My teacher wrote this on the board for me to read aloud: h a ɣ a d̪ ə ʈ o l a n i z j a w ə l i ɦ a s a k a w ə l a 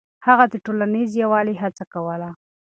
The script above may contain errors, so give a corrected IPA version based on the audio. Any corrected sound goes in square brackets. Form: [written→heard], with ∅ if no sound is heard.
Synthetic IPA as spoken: h a ɣ a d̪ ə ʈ o l a n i z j a w [ə→ɑ] l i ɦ a [s→t͡s] a k a w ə l a